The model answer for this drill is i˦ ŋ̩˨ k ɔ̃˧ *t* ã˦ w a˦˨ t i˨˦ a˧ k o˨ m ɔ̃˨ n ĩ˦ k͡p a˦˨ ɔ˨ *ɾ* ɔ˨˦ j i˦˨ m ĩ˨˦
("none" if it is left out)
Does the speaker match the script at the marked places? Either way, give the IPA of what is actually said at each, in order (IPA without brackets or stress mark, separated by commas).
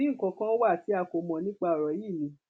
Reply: k, ɾ